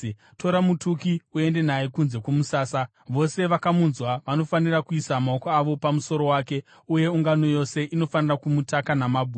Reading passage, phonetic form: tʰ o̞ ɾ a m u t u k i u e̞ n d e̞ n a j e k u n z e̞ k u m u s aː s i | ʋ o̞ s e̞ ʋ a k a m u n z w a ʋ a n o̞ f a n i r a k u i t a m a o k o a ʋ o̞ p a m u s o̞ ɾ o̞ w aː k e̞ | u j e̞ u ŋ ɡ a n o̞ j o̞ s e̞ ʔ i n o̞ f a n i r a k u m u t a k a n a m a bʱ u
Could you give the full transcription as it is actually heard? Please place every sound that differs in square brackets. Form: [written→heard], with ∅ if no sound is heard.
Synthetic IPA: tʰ o̞ ɾ a m u t u k i u e̞ n d e̞ n a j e k u n z e̞ k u m u s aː s [i→a] | ʋ o̞ s e̞ ʋ a k a m u n z w a ʋ a n o̞ f a n i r a k u i [t→s] a m a o k o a ʋ o̞ p a m u s o̞ ɾ o̞ w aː k e̞ | u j e̞ u ŋ ɡ a n o̞ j o̞ s e̞ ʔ i n o̞ f a n i r a k u m u t a k a n a m a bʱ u

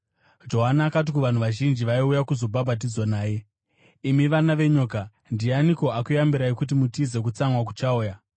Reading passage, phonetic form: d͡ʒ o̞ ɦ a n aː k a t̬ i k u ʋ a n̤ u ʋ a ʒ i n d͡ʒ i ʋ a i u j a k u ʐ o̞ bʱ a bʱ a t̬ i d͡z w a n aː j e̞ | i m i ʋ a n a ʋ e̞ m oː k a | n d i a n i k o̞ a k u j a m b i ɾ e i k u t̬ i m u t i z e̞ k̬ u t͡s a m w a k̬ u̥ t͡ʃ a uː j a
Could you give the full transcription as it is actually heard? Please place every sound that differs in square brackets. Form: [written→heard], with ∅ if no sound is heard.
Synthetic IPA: d͡ʒ o̞ ɦ a n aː k a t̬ i k u ʋ a n̤ u ʋ a ʒ i n d͡ʒ i ʋ a i u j a k u [ʐ→z] o̞ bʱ a bʱ a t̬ i d͡z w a n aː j e̞ | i m i ʋ a n a ʋ e̞ [m→ɲ] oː k a | n d i a n i k o̞ a k u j a m b i ɾ [e→a] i k u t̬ i m u t i z e̞ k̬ u t͡s a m w a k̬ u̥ t͡ʃ a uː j a

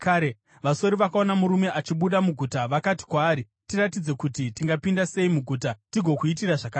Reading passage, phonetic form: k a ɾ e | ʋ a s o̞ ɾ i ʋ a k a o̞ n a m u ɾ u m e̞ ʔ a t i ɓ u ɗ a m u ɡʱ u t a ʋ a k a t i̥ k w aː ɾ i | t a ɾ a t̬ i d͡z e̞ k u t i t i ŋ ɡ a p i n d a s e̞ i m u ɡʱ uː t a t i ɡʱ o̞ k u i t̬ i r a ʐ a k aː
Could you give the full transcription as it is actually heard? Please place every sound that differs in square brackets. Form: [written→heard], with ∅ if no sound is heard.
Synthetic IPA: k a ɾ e | ʋ a s o̞ ɾ i ʋ a k a o̞ n a m u ɾ u m e̞ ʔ a [t→t͡ʃ] i ɓ u ɗ a m u ɡʱ u t a ʋ a k a t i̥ k w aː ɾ i | t [a→i] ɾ a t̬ i d͡z e̞ k u t i t i ŋ ɡ a p i n d a s e̞ i m u ɡʱ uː t a t i ɡʱ o̞ k u i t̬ i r a ʐ a k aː

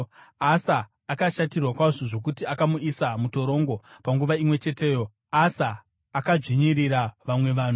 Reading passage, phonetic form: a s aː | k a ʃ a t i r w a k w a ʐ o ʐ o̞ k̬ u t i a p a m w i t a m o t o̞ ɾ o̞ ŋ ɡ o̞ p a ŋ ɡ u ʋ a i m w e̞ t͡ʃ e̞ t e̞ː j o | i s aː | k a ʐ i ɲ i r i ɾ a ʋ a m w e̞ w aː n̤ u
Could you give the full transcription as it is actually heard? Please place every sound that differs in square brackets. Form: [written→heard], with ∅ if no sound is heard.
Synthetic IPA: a s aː | k a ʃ a t i r w a k w a ʐ o ʐ o̞ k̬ u t i a [p→k] a m [w→u] i [t→s] a m [o→u] t o̞ ɾ o̞ ŋ ɡ o̞ p a ŋ ɡ u ʋ a i m w e̞ t͡ʃ e̞ t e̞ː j o | [i→a] s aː | k a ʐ i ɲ i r i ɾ a ʋ a m w e̞ [w→ʋ] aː n̤ u

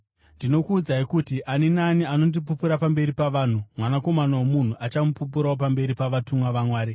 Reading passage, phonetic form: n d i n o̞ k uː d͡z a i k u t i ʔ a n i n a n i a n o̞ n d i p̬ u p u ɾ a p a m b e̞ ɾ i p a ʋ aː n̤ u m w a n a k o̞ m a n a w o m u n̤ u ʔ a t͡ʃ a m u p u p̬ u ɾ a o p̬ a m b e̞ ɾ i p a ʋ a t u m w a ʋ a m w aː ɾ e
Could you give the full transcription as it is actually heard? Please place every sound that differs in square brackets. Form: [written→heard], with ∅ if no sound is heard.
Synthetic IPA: n d i n o̞ k uː d͡z a i k u t i ʔ a n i n a n i a n o̞ n d i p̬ u p u ɾ a p a m b e̞ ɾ i p a ʋ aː n̤ u m w a n a k o̞ m a n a w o m u n̤ u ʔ a t͡ʃ a m u p u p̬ u ɾ a o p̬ a m b e̞ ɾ i p a ʋ a t u m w a ʋ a m w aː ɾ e

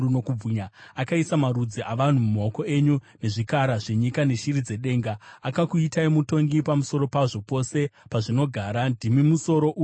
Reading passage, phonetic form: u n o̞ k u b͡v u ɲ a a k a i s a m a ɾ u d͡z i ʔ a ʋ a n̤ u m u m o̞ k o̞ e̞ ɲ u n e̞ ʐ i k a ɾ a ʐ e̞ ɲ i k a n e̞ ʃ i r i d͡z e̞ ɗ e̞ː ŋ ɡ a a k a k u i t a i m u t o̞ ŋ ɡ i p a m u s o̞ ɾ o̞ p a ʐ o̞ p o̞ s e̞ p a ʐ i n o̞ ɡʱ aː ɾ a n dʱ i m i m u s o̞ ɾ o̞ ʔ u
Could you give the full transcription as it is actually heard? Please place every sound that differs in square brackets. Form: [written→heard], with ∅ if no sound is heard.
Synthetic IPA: u n o̞ k u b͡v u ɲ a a k a i s a m a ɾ u d͡z i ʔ a ʋ a n̤ u m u m o̞ k o̞ e̞ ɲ u n e̞ ʐ i k a ɾ a ʐ e̞ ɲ i k a n e̞ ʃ i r i d͡z e̞ ɗ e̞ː ŋ ɡ a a k a k u i t a i m u t o̞ ŋ ɡ i p a m u s o̞ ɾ o̞ p a ʐ o̞ p o̞ s e̞ p a ʐ i n o̞ ɡʱ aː ɾ a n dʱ i m i m u s o̞ ɾ o̞ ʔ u

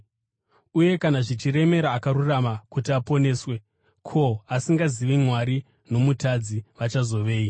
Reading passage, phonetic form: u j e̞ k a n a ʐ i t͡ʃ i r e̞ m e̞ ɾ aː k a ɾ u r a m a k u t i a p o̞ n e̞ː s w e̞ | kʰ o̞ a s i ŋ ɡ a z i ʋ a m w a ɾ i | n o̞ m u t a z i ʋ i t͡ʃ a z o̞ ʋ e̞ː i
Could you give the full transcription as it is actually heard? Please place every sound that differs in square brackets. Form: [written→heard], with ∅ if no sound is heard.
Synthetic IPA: u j e̞ k a n a ʐ i t͡ʃ i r e̞ m e̞ ɾ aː k a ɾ u r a m a k u t i a p o̞ n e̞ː s w e̞ | kʰ o̞ a s i ŋ ɡ a z i ʋ [a→i] m w a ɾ i | n o̞ m u t a [z→d͡z] i ʋ [i→a] t͡ʃ a z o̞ ʋ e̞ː i

